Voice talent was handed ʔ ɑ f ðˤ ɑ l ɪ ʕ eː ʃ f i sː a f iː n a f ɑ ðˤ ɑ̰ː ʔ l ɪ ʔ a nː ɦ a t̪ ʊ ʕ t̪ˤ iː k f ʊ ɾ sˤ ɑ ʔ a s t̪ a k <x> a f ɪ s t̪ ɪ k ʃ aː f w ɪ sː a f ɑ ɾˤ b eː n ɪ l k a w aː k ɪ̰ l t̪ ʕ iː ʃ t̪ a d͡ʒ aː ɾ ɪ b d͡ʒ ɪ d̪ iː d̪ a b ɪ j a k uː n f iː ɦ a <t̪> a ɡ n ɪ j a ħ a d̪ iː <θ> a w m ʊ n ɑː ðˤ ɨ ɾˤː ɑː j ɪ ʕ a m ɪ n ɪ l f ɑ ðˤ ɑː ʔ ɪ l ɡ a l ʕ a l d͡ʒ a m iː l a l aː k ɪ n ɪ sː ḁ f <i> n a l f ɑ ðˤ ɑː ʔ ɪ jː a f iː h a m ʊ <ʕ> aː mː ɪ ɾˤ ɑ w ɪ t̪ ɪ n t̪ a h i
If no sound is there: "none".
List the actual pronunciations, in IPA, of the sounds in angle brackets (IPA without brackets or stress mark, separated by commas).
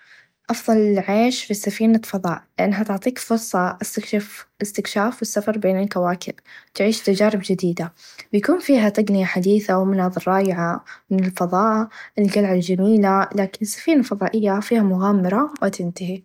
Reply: ʃ, t̪, θ, iː, ɣ